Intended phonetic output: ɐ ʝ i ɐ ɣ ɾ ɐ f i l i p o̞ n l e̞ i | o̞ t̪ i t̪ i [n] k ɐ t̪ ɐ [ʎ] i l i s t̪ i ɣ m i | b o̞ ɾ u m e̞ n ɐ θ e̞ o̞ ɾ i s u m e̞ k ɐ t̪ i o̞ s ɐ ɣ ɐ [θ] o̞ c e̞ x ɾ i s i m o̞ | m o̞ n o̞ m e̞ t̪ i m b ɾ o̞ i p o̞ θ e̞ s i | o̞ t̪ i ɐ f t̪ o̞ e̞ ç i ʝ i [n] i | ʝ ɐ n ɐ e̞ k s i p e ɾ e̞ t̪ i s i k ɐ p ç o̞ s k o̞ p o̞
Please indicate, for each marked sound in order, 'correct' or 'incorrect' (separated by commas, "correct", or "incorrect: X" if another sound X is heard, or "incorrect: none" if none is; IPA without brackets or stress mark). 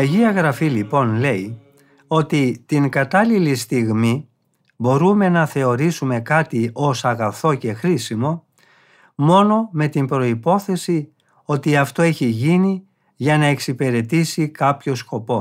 incorrect: ŋ, incorrect: l, correct, correct